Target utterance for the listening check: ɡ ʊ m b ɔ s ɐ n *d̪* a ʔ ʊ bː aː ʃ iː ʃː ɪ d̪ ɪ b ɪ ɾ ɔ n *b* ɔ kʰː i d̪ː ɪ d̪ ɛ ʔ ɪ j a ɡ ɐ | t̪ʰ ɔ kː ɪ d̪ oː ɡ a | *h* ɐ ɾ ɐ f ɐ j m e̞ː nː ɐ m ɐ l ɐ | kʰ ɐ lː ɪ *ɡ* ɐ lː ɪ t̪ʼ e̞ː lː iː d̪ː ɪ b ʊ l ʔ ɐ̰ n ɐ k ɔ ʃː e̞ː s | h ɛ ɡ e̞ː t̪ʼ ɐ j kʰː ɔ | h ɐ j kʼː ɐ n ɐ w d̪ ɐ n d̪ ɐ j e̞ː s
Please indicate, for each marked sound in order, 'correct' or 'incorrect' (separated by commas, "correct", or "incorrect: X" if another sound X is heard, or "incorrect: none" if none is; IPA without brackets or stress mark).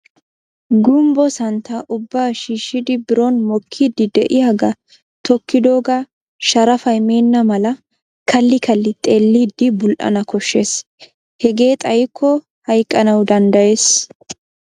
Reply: incorrect: t̪, incorrect: m, incorrect: ʃ, incorrect: k